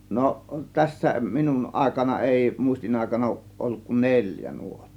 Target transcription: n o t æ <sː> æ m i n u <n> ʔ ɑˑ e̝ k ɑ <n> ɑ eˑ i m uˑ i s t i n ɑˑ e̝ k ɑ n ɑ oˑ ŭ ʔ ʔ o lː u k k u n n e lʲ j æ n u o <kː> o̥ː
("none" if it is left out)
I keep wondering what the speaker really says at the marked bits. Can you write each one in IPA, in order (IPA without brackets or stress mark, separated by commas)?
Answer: sː, n, n, tː